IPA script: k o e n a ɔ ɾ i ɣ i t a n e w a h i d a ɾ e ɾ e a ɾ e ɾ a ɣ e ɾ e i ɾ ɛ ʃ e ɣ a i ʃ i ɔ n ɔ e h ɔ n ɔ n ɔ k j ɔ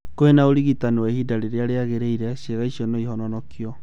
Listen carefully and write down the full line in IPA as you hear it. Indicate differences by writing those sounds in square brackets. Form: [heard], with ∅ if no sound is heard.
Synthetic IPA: k o e n a [o] ɾ i ɣ i t a n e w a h i d a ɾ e ɾ e a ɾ e [∅] a ɣ e ɾ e i ɾ ɛ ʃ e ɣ a i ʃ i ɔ n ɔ [i] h ɔ n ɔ n ɔ k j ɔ